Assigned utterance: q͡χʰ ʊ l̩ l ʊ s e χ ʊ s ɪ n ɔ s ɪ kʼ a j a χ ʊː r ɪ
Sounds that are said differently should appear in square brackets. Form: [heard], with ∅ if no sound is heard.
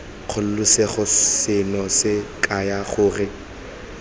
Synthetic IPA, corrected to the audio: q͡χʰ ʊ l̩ l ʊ s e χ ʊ s ɪ n ɔ s ɪ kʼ a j a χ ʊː r ɪ